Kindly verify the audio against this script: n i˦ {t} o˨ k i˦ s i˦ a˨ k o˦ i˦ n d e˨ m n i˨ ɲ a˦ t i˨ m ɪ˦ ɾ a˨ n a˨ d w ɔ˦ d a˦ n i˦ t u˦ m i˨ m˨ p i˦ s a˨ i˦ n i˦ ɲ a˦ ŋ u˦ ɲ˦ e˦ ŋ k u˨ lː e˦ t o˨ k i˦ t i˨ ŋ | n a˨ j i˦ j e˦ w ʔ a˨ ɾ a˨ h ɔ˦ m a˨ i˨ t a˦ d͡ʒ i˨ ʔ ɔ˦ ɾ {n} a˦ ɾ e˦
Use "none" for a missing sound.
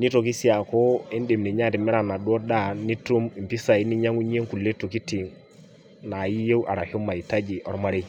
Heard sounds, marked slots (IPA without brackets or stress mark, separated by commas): t, m